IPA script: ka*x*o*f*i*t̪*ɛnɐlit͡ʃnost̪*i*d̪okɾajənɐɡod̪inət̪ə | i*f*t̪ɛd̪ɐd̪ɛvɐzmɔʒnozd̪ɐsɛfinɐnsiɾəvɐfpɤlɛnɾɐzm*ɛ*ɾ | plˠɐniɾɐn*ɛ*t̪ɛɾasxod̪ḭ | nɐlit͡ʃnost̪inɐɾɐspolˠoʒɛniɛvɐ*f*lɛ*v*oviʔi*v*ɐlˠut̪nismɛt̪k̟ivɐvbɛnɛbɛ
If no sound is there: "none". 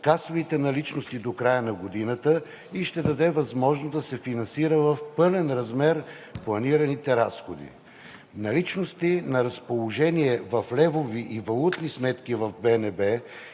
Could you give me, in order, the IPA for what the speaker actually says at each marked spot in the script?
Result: s, v, t̪, i, ʃ, ɛ, i, f, v, v

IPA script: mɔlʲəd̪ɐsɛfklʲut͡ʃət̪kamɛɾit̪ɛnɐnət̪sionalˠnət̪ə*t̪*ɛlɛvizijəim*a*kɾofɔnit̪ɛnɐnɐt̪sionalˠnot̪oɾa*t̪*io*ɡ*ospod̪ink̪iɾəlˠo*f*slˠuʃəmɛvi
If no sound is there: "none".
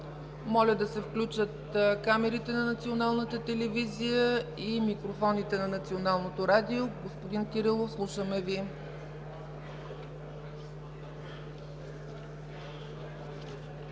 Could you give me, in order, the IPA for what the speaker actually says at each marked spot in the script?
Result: t̪, i, d̪, ɡ, f

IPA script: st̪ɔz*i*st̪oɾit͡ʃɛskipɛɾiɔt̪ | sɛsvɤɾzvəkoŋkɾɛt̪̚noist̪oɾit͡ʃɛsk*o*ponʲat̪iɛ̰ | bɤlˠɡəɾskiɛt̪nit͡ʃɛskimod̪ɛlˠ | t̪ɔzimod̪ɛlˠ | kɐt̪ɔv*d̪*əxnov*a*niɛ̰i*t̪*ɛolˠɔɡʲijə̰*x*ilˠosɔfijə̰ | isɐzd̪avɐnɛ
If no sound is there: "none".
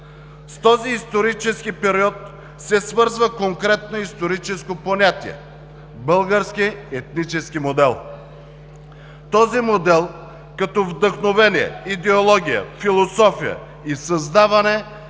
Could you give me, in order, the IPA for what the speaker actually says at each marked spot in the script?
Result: iː, o, d̪, ɛ, d̪, f

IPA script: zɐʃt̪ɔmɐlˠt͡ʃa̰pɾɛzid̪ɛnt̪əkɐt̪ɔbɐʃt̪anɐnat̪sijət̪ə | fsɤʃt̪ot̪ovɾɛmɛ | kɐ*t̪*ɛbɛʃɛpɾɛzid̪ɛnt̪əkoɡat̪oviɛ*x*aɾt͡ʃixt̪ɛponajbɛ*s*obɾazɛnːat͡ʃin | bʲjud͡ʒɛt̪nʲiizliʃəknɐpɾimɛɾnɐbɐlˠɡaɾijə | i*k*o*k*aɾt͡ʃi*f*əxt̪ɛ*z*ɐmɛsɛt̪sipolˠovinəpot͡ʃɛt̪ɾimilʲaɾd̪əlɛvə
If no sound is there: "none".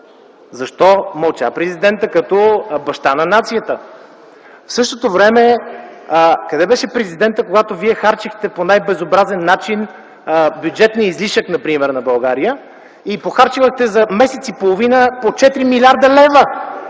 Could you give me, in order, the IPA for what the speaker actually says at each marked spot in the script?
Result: d̪, x, z, p, x, v, z

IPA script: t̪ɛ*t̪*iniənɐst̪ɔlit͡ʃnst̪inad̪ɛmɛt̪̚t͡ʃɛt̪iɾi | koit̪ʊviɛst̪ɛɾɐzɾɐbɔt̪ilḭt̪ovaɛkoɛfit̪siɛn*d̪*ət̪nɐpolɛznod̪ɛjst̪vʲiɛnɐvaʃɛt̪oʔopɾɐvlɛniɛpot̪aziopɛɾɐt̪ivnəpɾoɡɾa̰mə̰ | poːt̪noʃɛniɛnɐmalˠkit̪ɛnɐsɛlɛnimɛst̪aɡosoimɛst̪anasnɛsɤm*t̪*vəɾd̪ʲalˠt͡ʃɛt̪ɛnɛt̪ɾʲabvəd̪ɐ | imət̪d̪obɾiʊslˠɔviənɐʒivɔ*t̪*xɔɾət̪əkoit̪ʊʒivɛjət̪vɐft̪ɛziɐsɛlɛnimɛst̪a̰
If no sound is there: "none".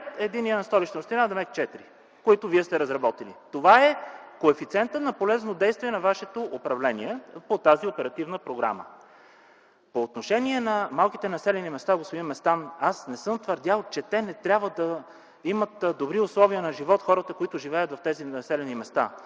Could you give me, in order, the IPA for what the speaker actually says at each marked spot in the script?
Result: d̪, t̪, t̪, t̪

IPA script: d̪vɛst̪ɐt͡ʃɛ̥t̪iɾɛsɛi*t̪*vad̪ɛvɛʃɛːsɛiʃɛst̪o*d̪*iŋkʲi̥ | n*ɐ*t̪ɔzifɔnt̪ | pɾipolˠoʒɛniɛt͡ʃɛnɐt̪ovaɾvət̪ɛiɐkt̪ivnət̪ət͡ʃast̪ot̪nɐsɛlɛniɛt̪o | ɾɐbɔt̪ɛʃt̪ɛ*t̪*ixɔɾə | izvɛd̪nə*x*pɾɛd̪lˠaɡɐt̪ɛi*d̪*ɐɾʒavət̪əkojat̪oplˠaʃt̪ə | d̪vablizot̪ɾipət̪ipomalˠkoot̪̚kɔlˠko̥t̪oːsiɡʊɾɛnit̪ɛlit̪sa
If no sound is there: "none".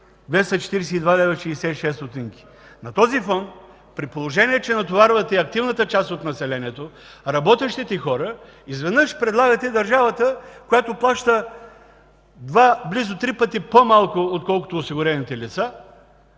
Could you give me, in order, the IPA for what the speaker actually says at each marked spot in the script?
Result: d̪, t̪, ɐ, t̪, ʃ, d̪

